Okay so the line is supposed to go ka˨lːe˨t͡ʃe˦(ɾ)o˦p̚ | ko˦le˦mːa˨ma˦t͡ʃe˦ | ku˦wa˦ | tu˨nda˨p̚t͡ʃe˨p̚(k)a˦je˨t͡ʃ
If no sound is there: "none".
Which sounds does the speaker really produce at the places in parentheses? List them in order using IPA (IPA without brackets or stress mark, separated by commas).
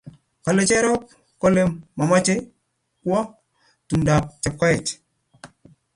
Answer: ɾ, k